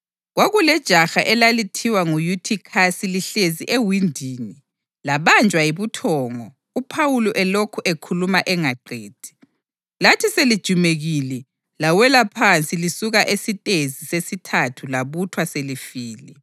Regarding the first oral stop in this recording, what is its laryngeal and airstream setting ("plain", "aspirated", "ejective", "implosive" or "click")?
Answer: plain